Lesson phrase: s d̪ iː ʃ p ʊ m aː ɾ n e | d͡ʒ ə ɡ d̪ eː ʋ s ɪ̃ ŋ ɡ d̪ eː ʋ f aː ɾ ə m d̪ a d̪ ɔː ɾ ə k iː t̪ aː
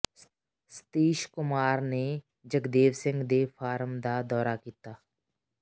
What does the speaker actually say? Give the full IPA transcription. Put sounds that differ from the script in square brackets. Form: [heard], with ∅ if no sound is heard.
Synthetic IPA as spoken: s [t̪] iː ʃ [k] ʊ m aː ɾ n e | d͡ʒ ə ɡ d̪ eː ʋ s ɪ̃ ŋ ɡ d̪ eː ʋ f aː ɾ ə m d̪ a d̪ ɔː ɾ [a] k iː t̪ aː